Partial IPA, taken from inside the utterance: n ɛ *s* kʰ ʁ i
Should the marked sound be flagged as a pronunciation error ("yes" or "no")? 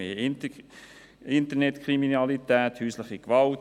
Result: yes